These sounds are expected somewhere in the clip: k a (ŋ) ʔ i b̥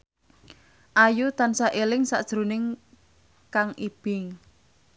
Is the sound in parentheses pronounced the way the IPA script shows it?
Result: yes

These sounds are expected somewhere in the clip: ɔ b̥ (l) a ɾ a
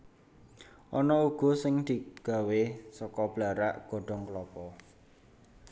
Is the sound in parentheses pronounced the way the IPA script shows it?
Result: yes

